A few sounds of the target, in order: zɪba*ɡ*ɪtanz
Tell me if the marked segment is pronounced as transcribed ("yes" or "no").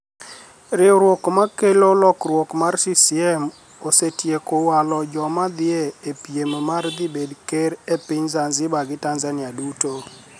yes